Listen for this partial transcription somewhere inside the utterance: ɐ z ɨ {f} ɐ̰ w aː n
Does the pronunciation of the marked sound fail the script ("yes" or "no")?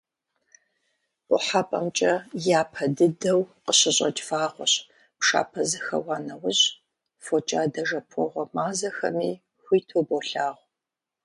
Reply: yes